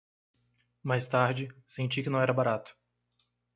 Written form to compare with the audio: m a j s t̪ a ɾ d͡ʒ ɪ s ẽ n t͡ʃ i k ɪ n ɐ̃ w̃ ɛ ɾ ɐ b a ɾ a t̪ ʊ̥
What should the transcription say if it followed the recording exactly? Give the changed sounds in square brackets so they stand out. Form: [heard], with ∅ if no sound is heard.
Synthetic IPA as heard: m a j s t̪ a ɾ d͡ʒ ɪ s ẽ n t͡ʃ i k ɪ n ɐ̃ w̃ ɛ ɾ ɐ b a ɾ a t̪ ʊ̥